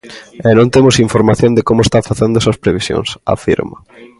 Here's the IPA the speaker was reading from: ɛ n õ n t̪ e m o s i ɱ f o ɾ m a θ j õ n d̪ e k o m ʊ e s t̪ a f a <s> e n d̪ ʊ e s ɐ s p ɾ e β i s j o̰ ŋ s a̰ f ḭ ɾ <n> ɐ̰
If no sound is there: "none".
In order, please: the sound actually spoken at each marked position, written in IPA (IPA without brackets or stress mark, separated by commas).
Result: θ, m